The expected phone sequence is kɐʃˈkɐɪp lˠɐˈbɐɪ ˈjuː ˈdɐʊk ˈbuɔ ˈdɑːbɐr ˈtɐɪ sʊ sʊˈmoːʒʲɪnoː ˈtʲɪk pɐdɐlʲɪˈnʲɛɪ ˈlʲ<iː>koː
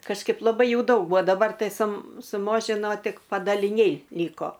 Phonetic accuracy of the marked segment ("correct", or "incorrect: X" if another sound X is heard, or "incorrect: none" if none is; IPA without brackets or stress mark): correct